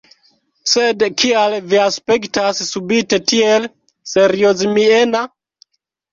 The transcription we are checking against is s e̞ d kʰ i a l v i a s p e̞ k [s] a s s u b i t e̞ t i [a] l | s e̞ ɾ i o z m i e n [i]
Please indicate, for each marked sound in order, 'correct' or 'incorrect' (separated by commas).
incorrect, incorrect, incorrect